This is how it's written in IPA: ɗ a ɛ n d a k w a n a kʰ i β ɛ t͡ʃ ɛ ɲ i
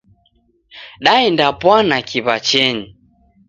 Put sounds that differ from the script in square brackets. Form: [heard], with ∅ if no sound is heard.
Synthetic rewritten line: ɗ a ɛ n d a [p] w a n a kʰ i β [a] t͡ʃ ɛ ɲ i